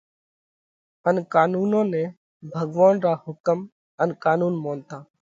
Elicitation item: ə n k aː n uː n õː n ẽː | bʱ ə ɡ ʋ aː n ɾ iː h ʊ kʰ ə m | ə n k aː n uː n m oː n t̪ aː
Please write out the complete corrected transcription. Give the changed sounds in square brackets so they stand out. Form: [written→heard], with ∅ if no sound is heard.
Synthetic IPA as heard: ə n k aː n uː n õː n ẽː | bʱ ə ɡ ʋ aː n ɾ [iː→aː] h ʊ [kʰ→k] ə m | ə n k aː n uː n m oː n t̪ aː